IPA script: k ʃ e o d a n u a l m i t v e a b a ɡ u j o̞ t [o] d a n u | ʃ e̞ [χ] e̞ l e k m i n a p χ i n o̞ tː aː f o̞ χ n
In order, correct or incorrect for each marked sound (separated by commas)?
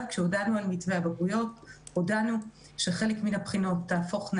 correct, correct